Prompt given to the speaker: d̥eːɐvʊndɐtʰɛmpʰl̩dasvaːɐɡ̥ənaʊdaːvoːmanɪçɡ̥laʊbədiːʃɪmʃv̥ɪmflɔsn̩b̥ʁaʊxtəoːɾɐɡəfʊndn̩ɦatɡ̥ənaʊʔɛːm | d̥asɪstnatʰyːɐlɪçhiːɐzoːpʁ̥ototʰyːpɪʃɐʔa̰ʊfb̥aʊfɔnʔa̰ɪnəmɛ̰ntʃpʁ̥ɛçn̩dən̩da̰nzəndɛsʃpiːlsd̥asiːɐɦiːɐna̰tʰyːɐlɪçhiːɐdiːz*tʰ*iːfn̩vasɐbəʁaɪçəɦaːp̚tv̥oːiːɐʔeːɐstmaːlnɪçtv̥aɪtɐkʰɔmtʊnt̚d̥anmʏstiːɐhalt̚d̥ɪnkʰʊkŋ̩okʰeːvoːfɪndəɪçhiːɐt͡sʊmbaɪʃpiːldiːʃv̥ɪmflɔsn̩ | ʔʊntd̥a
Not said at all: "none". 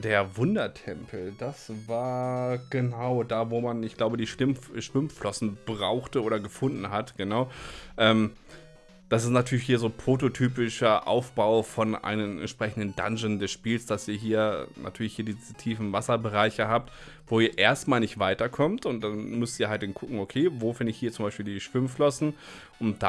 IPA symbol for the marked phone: tʰ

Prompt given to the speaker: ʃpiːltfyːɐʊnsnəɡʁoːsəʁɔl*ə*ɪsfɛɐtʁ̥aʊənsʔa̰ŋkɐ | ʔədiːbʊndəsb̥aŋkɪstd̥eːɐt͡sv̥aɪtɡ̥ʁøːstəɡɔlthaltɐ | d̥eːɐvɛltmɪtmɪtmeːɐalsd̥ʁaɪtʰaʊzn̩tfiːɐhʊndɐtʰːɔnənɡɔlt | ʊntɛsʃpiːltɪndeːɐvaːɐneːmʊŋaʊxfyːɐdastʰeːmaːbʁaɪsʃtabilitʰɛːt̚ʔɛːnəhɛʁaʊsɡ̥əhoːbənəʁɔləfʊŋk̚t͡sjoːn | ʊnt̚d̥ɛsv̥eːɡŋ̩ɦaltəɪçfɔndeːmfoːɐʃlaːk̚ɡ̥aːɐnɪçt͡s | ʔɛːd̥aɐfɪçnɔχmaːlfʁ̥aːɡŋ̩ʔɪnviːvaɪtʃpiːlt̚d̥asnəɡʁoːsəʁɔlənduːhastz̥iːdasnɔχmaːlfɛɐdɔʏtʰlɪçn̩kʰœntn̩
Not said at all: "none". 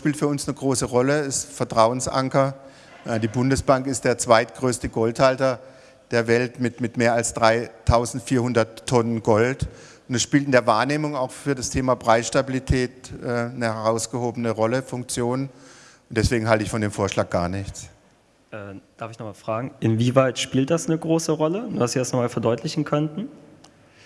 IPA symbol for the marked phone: ə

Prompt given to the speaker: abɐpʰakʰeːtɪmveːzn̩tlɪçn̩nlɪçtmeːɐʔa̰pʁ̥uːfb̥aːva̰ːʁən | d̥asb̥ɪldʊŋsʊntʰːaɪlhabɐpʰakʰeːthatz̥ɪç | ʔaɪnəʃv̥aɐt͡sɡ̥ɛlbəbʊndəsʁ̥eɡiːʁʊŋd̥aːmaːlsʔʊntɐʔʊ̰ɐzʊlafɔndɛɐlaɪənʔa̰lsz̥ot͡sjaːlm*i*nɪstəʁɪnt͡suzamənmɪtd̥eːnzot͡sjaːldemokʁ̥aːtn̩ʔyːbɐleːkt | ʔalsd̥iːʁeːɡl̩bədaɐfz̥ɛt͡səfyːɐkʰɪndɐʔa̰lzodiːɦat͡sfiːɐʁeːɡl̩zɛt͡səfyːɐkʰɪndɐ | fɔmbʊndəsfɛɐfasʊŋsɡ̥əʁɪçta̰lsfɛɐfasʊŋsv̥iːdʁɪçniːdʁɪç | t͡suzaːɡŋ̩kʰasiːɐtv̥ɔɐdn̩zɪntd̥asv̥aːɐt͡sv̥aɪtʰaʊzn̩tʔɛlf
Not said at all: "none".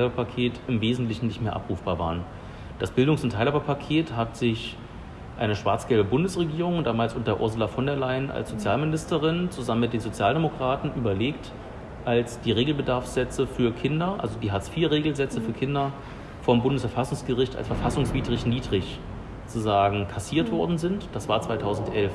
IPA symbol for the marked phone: ɪ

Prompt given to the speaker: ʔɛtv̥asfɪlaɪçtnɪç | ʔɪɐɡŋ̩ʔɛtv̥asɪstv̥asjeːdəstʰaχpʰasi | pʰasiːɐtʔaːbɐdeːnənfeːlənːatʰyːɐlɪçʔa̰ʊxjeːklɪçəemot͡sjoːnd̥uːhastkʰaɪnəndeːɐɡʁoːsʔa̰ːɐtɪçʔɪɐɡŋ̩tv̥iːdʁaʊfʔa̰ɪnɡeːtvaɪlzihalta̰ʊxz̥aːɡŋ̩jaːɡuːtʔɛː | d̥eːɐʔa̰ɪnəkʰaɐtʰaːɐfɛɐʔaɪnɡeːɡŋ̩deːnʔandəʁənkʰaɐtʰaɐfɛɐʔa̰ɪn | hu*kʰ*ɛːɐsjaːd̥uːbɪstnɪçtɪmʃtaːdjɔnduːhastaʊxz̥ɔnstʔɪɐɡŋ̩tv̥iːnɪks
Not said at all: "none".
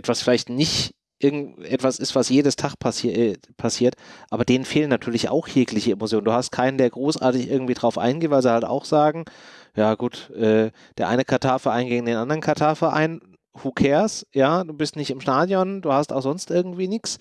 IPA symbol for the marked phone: kʰ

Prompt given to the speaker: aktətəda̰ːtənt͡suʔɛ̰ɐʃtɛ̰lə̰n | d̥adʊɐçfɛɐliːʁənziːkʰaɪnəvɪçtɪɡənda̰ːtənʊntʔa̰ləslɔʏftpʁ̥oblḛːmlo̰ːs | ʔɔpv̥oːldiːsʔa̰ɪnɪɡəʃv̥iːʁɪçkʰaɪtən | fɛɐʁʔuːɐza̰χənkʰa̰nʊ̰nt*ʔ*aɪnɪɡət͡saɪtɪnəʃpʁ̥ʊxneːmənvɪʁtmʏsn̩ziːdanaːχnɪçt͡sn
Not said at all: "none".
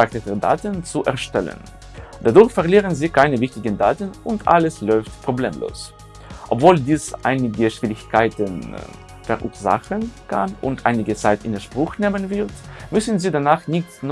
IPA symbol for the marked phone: ʔ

